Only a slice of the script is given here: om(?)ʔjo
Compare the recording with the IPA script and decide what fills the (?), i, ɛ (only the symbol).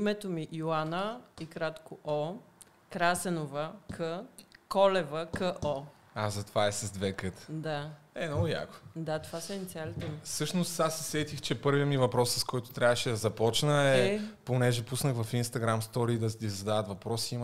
i